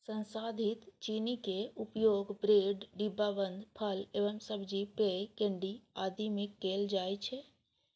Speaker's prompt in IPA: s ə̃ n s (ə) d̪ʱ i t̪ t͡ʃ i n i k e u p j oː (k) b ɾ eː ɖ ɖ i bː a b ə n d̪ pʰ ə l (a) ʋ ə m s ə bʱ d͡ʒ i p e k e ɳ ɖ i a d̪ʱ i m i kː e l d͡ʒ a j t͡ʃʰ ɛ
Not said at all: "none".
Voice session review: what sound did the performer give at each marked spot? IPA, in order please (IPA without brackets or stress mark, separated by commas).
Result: a, ɡ, e